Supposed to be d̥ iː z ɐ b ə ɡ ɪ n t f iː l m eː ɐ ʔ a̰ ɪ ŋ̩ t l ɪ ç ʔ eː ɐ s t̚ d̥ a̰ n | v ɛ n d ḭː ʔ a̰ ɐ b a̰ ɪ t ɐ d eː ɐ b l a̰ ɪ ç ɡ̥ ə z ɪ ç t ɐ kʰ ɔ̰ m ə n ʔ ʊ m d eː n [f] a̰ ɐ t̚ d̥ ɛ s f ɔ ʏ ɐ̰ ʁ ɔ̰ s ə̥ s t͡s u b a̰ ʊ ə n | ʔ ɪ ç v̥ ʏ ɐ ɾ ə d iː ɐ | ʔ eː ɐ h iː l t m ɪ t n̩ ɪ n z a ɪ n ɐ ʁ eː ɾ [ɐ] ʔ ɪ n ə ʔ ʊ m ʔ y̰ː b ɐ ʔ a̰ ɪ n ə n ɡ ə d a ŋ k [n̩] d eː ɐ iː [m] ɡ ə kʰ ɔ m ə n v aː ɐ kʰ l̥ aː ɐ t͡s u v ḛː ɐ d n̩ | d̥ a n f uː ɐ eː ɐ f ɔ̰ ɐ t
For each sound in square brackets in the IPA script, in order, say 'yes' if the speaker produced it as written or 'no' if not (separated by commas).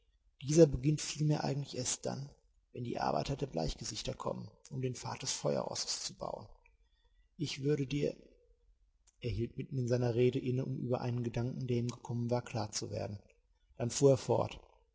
yes, no, no, yes